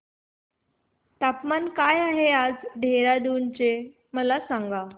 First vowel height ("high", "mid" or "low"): low